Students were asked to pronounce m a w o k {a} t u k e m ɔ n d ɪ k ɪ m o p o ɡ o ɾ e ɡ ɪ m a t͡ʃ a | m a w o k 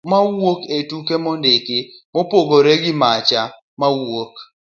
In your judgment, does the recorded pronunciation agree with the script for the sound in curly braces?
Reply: no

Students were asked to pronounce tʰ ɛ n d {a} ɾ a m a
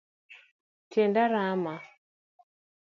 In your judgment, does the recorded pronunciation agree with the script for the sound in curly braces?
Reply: yes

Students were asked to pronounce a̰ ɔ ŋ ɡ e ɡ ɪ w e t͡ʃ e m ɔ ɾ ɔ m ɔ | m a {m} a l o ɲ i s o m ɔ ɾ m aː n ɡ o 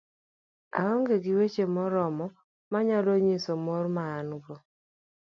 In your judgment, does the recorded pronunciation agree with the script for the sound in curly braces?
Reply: no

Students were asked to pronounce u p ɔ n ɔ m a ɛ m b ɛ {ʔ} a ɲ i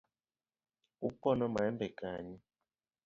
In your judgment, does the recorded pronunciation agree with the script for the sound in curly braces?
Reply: no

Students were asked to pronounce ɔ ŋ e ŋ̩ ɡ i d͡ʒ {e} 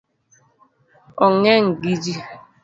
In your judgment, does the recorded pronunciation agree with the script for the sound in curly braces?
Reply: no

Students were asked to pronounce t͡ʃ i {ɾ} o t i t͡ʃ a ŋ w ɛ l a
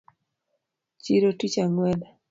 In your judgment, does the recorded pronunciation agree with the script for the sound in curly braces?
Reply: yes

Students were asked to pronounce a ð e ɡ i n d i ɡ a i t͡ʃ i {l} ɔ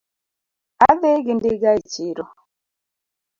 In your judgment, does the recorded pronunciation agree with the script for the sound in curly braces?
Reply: no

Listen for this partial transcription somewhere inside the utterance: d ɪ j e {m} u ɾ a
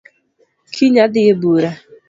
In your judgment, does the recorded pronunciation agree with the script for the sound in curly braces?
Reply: no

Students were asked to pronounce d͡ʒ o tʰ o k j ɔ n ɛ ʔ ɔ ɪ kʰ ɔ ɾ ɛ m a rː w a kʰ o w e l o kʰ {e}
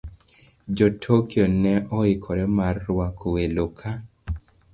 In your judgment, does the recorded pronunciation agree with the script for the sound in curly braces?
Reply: no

